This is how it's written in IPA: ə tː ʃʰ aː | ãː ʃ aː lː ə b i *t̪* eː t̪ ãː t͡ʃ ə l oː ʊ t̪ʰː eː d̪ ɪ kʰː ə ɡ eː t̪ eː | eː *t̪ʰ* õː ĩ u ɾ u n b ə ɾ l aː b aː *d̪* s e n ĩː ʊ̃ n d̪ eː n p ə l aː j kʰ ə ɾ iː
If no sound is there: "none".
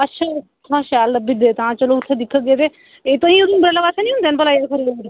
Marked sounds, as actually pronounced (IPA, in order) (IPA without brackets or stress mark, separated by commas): d̪, t̪, none